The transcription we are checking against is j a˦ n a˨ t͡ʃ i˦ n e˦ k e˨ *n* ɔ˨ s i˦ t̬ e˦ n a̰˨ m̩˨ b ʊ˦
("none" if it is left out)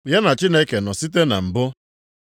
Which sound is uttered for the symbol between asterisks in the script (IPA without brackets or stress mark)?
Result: n